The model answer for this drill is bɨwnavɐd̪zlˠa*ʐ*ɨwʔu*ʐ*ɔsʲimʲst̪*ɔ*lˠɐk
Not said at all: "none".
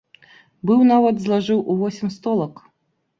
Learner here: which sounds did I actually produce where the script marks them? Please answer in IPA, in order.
ʐ, v, ɔ

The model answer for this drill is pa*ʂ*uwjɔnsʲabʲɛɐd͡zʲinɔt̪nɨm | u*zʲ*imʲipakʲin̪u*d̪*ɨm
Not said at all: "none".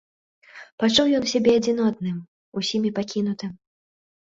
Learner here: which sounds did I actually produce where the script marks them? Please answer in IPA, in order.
t͡ʂ, sʲ, t̪

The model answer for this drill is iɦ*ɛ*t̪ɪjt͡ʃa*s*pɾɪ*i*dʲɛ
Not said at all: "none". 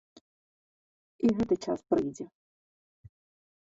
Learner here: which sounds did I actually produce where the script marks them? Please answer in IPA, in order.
ɛ, s, j

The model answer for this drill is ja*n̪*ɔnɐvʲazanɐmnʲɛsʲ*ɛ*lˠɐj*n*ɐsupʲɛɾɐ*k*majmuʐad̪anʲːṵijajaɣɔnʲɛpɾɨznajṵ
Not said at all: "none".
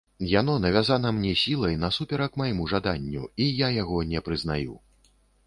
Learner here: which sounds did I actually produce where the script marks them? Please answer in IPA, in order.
n̪, i, n, k

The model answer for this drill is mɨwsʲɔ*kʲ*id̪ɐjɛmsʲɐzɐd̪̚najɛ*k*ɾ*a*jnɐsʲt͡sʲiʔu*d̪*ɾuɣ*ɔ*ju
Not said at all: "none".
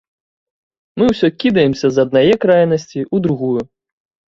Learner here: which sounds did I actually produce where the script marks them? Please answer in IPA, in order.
kʲ, k, a, d̪, u

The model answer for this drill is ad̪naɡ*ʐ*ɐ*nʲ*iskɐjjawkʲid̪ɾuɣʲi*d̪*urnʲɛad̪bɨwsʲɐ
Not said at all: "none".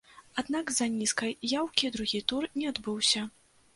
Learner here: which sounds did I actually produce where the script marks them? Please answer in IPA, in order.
z, nʲ, t̪

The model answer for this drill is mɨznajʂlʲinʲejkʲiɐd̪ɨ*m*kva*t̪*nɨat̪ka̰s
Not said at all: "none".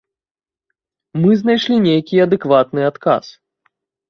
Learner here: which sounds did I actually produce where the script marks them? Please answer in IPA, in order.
none, t̪

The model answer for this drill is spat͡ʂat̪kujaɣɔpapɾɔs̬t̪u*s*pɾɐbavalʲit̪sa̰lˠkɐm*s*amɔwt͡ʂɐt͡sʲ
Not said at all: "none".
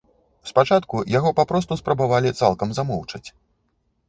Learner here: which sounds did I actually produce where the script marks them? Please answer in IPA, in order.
s, z

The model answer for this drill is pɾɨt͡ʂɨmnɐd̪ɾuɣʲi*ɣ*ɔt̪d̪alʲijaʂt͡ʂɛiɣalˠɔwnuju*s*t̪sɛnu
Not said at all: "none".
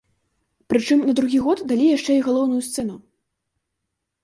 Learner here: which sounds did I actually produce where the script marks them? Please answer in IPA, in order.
ɣ, s

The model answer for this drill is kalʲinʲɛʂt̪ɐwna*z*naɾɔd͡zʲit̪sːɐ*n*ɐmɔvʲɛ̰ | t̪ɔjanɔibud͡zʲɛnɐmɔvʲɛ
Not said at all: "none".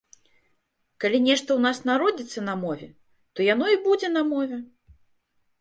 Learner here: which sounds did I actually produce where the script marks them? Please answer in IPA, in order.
s, n

